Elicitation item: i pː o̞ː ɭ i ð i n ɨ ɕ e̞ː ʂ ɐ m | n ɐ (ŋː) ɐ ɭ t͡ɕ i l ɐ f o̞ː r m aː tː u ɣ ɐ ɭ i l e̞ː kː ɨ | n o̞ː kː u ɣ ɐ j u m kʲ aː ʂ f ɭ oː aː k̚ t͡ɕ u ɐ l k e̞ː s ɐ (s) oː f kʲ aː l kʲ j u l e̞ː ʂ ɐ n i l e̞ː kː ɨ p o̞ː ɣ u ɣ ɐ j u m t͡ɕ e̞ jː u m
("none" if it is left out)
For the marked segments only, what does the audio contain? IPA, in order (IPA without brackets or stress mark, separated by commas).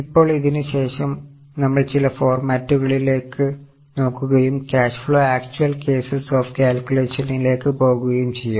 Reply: mː, s